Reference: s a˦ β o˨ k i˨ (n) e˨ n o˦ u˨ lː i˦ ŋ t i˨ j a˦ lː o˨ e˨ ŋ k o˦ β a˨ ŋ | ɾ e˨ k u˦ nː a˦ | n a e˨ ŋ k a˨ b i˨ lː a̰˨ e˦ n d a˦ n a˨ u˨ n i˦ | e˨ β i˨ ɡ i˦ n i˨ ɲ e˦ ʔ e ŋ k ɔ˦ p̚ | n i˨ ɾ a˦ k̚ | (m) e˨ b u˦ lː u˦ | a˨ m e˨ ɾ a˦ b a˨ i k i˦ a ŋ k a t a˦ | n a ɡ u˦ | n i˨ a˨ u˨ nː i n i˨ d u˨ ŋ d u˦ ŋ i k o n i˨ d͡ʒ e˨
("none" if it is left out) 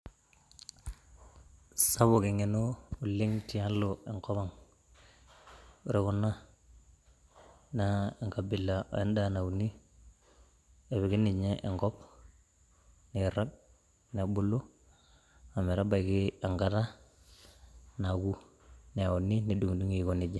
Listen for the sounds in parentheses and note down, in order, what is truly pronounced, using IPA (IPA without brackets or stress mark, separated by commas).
ŋ, n